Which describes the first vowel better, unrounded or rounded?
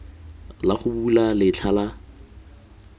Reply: unrounded